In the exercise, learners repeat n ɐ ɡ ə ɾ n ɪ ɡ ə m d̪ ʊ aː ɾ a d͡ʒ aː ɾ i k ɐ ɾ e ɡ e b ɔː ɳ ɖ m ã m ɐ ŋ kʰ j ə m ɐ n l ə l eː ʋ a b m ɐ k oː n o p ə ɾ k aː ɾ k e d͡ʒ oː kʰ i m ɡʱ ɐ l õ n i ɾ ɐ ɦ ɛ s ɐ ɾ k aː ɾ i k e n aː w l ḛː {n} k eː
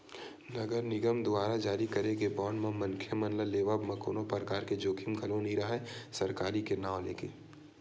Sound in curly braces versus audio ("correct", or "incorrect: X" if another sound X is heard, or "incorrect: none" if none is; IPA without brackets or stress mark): incorrect: none